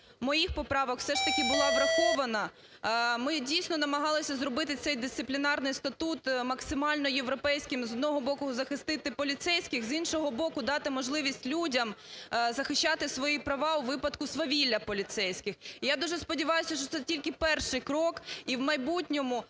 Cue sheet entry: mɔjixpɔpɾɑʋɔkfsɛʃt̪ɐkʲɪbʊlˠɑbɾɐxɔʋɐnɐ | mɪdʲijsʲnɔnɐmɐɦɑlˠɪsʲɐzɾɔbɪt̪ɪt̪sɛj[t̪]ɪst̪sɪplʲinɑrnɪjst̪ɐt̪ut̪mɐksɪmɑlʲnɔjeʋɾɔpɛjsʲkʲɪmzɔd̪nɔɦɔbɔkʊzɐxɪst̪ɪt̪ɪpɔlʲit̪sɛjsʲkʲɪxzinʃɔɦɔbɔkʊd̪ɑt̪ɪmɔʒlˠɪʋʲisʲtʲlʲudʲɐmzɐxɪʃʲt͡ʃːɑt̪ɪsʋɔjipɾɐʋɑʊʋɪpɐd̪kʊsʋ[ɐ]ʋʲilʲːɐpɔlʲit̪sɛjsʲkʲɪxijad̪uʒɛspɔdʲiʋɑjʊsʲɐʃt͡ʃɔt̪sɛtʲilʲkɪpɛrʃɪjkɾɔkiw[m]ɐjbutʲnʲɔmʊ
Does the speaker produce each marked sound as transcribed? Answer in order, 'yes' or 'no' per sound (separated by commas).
no, yes, yes